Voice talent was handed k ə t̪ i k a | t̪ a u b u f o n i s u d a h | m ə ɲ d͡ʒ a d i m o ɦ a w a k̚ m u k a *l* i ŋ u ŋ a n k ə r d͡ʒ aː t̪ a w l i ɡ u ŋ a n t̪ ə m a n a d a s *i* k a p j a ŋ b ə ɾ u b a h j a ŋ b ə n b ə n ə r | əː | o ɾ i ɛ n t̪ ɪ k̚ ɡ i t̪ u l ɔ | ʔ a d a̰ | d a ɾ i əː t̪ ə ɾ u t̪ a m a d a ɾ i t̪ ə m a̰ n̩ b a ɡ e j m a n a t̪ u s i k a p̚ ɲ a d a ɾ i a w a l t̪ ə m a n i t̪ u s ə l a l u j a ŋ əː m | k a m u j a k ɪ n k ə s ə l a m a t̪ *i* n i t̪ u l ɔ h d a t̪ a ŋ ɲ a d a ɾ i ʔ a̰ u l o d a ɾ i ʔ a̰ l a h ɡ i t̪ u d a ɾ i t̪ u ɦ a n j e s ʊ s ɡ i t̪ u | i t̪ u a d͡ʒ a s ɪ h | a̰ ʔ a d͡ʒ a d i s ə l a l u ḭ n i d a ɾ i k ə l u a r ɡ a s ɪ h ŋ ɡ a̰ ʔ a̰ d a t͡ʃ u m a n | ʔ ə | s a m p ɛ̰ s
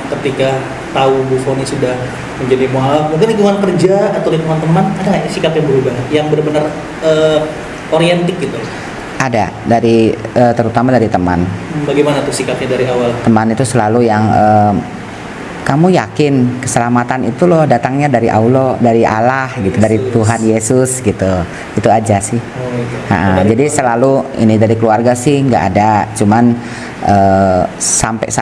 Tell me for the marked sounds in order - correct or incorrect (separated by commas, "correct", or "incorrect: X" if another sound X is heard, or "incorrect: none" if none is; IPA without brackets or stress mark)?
correct, correct, incorrect: a